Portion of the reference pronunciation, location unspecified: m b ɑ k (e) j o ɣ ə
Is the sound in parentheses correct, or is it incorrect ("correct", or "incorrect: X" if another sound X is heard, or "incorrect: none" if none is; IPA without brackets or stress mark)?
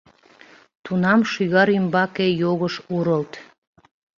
correct